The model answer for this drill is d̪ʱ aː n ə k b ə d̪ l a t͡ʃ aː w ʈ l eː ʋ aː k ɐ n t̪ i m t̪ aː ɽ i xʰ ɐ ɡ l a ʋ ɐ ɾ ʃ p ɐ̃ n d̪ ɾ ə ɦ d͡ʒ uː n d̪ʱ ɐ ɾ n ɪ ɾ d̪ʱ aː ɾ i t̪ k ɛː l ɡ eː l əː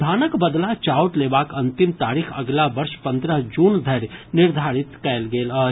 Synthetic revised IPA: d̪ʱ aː n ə k b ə d̪ l a t͡ʃ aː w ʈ l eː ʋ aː k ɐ n t̪ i m t̪ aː ɾ i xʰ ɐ ɡ l a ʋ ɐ ɾ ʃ p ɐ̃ n d̪ ɾ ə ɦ d͡ʒ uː n d̪ʱ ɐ ɾ n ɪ ɾ d̪ʱ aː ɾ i t̪ k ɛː l ɡ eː l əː